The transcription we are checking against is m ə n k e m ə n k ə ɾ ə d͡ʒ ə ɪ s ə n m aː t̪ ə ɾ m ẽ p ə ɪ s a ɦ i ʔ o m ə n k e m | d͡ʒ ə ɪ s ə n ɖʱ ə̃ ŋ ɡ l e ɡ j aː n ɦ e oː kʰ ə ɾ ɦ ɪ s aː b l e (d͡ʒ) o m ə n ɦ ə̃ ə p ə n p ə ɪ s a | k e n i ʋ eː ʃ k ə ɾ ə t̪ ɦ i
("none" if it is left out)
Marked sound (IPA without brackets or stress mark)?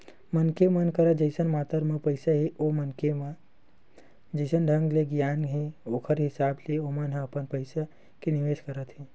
none